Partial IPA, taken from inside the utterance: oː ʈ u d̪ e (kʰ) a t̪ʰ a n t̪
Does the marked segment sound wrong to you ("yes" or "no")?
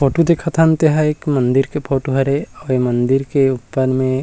no